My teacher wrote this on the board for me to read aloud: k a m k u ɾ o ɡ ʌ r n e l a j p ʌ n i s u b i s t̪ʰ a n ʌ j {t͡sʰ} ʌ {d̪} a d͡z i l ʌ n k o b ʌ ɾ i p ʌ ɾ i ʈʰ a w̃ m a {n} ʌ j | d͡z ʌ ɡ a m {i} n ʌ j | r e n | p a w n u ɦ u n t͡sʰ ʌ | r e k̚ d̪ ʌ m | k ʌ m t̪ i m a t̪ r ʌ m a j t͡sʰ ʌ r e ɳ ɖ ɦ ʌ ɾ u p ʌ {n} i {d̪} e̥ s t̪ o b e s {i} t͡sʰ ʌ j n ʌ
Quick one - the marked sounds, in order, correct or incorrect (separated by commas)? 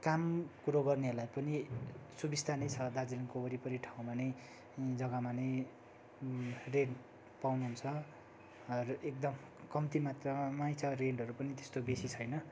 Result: correct, correct, correct, incorrect, correct, incorrect, correct